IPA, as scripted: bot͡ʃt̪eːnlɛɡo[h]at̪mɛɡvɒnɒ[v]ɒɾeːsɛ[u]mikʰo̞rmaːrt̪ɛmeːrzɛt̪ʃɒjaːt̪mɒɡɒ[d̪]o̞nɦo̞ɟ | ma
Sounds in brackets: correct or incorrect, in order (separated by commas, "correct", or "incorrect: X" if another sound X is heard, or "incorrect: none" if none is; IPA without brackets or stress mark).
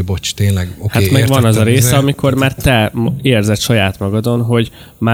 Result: correct, incorrect: z, incorrect: ɒ, correct